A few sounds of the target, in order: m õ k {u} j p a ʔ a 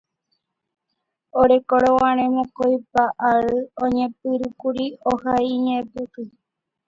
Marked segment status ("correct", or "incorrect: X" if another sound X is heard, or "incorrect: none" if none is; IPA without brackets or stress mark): incorrect: o